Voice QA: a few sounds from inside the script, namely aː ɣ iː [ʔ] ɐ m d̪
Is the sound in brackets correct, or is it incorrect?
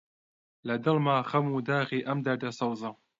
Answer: correct